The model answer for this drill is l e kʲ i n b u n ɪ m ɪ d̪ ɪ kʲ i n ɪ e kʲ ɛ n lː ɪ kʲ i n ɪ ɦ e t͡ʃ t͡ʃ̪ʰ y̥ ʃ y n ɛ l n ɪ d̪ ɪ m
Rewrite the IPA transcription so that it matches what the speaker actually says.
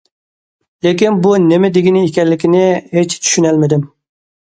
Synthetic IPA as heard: l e kʲ i n b u n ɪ m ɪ d̪ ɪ ɡʲ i n ɪ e kʲ ɛ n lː ɪ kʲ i n ɪ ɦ e t͡ʃ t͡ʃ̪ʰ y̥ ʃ y n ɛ l m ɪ d̪ ɪ m